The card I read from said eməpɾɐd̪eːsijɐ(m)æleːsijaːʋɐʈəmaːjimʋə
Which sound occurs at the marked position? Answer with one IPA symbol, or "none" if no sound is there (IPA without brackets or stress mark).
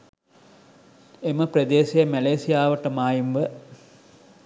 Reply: m